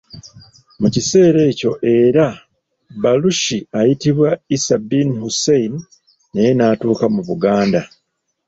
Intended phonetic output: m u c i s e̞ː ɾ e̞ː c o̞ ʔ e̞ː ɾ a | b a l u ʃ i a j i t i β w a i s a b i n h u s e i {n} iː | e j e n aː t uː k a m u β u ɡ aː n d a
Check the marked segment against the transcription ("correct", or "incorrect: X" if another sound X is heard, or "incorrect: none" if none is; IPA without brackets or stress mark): correct